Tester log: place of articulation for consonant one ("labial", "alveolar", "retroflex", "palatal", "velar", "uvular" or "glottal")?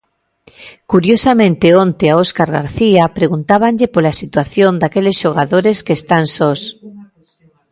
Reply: velar